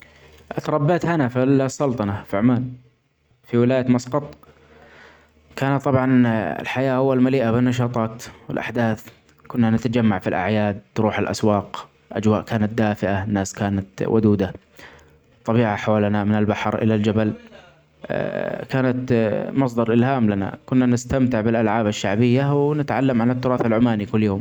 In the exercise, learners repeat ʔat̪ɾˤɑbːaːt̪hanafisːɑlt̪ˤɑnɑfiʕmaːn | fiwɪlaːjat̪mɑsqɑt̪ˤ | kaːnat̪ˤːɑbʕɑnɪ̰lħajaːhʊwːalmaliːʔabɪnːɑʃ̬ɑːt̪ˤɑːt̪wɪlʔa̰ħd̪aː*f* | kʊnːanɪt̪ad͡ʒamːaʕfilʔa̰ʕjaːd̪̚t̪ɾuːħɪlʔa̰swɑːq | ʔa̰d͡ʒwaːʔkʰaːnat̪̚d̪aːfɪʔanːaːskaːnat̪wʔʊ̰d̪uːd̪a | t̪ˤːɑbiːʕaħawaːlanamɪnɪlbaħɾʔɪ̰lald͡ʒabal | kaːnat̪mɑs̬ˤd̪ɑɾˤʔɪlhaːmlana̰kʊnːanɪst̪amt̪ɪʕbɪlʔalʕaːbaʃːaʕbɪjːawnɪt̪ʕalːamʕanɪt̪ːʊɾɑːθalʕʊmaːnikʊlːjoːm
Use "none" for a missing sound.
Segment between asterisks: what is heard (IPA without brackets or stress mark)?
θ